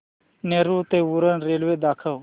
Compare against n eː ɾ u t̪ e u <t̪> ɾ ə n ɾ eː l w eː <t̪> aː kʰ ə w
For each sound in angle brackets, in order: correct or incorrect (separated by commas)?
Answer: incorrect, incorrect